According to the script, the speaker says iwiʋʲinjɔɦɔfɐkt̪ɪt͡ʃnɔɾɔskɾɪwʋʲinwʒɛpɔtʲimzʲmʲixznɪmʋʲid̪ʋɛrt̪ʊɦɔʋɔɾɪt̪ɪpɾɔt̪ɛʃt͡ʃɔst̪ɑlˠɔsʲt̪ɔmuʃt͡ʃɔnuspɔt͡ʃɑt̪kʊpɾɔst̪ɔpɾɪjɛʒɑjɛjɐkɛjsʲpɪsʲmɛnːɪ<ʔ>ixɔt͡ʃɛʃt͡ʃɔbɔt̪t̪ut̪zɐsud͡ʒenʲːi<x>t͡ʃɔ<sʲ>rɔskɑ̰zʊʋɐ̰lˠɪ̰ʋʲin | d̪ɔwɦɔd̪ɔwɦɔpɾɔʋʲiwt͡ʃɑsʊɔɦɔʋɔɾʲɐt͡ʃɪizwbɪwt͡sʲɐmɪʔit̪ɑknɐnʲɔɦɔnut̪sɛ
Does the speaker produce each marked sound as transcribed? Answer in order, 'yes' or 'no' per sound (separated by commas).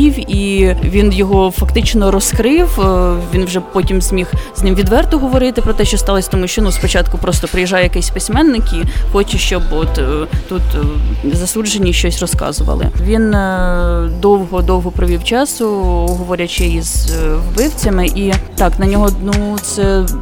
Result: no, no, yes